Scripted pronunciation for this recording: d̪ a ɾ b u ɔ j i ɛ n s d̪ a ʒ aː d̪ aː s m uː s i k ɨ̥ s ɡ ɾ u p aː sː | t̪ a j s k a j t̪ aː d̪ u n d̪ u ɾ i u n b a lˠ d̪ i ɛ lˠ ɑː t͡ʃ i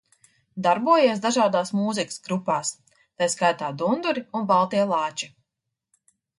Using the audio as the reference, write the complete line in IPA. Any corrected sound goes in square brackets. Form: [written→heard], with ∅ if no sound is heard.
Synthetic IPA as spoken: d̪ a ɾ b u ɔ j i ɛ [n→∅] s d̪ a ʒ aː d̪ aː s m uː [s→z] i k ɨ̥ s ɡ ɾ u p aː [sː→s] | t̪ a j s k a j t̪ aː d̪ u n d̪ u ɾ i u n b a lˠ [d̪→t̪] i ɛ lˠ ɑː t͡ʃ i